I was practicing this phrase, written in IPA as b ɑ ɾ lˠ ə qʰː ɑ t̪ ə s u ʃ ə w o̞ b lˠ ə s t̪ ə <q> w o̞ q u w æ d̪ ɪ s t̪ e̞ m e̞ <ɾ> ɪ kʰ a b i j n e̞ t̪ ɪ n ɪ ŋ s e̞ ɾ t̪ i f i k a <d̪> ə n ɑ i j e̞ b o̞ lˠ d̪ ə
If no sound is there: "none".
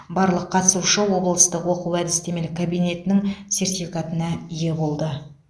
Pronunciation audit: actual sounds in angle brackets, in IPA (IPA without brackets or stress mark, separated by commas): q, l, t̪